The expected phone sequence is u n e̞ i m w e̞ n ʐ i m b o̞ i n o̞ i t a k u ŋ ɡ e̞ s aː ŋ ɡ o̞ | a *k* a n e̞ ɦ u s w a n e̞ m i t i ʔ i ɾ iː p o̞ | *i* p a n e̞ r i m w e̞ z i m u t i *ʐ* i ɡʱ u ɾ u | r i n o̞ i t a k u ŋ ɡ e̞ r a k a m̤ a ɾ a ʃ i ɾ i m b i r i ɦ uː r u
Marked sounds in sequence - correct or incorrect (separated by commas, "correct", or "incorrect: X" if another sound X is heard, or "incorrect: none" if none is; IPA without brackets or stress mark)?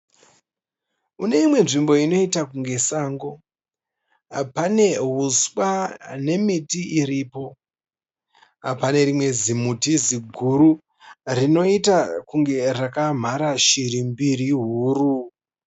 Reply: incorrect: p, incorrect: a, incorrect: z